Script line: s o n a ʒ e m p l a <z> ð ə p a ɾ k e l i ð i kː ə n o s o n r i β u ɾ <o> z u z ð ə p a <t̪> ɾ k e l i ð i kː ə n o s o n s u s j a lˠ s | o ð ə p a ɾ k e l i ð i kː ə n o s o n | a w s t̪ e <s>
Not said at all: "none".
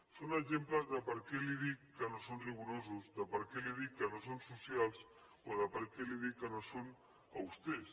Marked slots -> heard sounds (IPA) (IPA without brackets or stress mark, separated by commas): z, o, none, s